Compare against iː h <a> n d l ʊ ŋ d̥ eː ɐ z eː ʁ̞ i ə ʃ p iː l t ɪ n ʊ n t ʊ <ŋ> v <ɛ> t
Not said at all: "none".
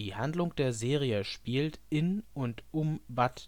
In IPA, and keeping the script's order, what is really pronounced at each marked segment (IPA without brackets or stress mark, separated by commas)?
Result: a, m, a